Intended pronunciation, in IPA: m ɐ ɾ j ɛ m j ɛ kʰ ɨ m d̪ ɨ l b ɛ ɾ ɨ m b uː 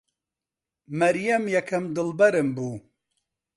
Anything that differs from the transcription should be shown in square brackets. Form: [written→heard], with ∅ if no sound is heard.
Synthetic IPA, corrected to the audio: m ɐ ɾ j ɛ m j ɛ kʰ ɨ m d̪ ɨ l b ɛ ɾ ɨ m b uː